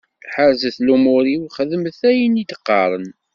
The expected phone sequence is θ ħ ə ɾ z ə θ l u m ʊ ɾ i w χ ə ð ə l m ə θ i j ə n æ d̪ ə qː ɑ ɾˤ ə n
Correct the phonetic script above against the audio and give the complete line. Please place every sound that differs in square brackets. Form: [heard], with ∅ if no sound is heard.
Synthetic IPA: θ ħ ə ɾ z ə θ l u m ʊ ɾ i w χ ə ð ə [∅] m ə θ [æ] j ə n [i] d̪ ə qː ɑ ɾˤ ə n